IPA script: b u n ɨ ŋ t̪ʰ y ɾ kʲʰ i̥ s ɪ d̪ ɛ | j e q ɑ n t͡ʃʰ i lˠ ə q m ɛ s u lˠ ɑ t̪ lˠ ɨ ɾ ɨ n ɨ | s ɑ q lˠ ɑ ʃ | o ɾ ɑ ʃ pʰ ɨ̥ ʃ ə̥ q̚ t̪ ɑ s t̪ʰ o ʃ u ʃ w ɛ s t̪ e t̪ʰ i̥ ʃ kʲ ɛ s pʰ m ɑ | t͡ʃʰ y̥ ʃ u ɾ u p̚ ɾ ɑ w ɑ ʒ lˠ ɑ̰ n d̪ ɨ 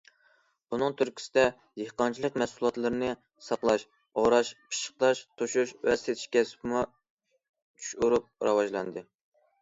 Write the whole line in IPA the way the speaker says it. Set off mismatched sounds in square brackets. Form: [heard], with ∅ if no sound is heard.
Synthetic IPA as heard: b u n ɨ ŋ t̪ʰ y ɾ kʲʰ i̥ s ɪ d̪ ɛ | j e q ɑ n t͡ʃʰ i lˠ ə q m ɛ s u lˠ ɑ t̪ lˠ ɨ ɾ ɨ n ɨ | s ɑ q lˠ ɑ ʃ | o ɾ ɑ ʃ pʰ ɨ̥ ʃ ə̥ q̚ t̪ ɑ [ʃ] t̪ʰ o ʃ u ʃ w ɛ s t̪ e t̪ʰ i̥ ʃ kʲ ɛ s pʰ m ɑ | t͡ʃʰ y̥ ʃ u ɾ u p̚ ɾ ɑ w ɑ ʒ lˠ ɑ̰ n d̪ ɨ